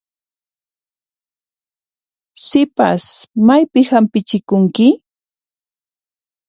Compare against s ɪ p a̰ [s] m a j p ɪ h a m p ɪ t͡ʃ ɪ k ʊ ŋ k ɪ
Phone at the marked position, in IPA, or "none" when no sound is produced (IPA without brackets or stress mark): s